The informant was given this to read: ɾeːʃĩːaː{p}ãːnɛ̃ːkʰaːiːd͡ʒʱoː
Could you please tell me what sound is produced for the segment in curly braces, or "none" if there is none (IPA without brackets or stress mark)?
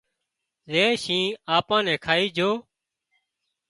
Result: p